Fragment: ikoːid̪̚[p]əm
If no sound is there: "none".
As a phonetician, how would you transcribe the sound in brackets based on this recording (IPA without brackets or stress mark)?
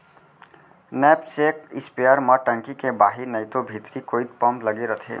p